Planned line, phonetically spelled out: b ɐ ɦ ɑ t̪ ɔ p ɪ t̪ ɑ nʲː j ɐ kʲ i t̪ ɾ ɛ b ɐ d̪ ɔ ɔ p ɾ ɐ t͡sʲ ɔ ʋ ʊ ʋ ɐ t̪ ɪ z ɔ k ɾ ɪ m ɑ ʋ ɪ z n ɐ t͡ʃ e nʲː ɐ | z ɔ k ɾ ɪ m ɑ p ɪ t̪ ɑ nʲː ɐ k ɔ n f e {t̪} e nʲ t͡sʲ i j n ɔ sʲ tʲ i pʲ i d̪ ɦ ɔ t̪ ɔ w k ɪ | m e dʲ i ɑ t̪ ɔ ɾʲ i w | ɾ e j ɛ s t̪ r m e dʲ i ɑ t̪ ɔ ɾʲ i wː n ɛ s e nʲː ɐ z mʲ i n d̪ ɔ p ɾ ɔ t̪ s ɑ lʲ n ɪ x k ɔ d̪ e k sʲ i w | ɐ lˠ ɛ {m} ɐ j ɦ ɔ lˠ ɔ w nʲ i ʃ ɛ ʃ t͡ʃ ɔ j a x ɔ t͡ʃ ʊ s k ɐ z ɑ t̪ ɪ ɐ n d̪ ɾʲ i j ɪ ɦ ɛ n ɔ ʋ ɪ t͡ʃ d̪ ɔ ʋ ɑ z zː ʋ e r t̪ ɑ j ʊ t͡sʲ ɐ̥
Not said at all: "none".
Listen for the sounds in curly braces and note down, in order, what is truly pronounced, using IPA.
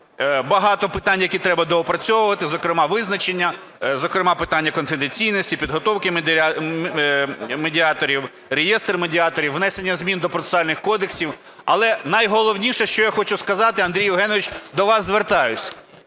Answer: d̪, n

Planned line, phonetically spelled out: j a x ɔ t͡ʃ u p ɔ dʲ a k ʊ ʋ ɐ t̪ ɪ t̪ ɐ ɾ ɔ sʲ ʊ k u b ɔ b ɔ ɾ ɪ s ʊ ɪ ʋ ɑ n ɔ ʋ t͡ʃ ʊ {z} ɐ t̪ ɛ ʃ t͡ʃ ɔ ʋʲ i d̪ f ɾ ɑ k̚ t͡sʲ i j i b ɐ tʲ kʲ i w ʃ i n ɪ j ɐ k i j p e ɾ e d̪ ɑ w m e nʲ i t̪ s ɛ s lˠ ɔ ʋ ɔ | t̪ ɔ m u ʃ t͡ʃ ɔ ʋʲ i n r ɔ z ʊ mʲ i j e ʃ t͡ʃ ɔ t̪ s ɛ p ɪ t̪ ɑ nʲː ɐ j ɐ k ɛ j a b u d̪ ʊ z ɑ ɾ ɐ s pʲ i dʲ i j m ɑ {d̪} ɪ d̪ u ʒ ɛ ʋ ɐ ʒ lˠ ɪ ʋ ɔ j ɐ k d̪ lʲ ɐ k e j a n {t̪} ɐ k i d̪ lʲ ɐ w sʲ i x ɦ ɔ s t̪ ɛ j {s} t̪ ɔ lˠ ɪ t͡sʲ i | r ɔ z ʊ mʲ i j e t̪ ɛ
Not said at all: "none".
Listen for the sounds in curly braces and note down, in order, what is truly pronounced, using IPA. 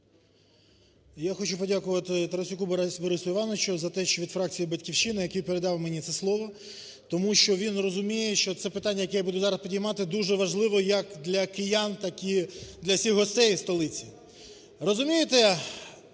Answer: z, t̪, t̪, s

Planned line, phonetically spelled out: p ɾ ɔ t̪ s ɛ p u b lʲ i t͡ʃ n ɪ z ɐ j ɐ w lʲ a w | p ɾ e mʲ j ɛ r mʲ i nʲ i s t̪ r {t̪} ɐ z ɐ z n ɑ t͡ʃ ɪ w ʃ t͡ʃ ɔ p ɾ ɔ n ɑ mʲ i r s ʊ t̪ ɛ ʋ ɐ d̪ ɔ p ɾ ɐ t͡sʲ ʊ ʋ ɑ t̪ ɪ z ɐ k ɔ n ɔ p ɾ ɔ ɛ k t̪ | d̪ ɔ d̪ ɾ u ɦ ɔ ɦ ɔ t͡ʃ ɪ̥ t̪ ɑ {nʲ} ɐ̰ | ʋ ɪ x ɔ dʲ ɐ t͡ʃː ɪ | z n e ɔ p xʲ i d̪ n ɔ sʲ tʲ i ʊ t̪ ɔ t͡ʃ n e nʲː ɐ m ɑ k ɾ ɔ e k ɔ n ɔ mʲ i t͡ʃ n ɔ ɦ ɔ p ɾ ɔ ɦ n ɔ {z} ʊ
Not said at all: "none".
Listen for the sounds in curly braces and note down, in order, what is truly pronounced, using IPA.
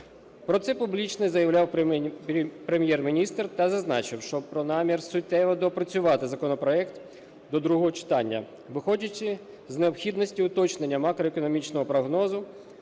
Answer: t̪, nʲː, z

